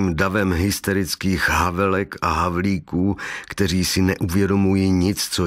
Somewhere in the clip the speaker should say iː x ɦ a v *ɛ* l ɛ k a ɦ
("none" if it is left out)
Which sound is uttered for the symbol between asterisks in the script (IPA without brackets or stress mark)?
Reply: ɛ